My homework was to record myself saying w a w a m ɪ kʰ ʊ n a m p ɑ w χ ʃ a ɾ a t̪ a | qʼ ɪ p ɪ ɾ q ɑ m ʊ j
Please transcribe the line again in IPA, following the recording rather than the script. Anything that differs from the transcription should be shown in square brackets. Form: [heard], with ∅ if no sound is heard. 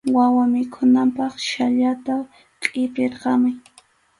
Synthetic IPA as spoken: w a w a m ɪ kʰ ʊ n a m p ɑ [∅] χ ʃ a [ʎ] a t̪ a | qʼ ɪ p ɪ ɾ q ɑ m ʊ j